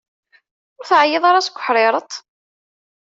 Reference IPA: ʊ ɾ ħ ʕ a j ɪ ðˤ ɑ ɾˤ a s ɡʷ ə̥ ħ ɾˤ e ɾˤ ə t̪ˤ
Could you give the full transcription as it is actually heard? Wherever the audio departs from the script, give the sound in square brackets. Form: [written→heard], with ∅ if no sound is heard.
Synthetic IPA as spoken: ʊ ɾ [ħ→θ] ʕ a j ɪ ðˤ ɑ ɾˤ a s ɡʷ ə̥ ħ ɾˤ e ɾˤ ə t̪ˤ